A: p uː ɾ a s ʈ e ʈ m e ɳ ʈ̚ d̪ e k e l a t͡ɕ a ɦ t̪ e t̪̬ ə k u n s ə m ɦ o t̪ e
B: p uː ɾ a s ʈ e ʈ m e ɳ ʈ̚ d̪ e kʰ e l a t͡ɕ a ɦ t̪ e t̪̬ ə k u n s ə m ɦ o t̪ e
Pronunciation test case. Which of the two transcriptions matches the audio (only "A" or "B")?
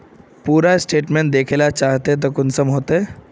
B